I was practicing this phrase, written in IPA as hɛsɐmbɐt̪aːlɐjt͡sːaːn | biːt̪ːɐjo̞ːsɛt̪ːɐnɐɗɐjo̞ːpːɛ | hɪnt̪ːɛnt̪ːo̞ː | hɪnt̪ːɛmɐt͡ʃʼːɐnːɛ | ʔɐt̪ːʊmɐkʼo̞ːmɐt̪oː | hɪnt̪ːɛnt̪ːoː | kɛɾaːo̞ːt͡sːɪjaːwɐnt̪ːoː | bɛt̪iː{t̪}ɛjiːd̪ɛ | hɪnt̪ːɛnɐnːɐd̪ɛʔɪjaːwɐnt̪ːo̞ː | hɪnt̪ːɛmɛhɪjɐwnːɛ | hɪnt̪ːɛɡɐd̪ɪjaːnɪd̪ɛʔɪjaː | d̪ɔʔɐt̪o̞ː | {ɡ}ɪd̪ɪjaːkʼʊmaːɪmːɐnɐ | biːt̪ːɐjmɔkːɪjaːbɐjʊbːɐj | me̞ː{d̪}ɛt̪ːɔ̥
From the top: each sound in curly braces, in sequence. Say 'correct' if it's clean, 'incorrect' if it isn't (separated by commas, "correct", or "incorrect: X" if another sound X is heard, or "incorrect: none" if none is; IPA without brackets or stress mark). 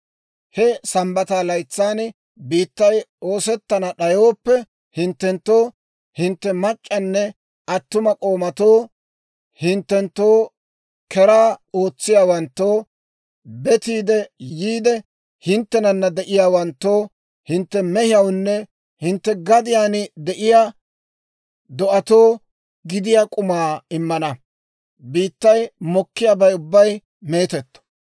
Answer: incorrect: d̪, correct, incorrect: t̪